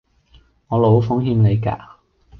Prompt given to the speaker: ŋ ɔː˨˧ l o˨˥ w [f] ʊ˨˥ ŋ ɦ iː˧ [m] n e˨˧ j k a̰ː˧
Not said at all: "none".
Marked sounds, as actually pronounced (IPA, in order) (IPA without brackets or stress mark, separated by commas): f, m